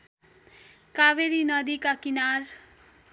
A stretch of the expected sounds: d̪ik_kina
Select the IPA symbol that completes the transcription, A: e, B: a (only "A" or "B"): B